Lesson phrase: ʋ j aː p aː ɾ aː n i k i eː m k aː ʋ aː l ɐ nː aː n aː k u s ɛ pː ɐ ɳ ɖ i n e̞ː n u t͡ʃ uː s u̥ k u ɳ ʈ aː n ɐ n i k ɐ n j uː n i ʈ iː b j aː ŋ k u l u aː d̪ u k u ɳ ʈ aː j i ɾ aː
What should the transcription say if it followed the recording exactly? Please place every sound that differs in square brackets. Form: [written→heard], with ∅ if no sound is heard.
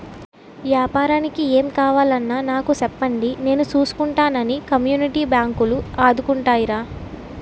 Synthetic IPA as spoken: ʋ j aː p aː ɾ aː n i k i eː m k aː ʋ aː l ɐ nː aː n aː k u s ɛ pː ɐ ɳ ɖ i n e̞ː n u t͡ʃ uː s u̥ k u ɳ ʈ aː n ɐ n i k ɐ [n→m] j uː n i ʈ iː b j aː ŋ k u l u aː d̪ u k u ɳ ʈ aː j i ɾ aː